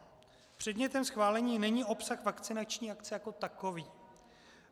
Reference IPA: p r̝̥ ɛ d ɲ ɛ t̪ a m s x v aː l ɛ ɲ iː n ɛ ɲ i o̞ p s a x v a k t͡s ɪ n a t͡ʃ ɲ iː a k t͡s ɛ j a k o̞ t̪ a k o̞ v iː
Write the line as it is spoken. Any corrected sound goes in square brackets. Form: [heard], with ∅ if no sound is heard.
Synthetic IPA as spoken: p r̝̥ ɛ d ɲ ɛ t̪ [ɛ] m s x v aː l ɛ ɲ iː n ɛ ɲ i o̞ p s a x v a k t͡s ɪ n a t͡ʃ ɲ iː a k t͡s ɛ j a k o̞ t̪ a k o̞ v iː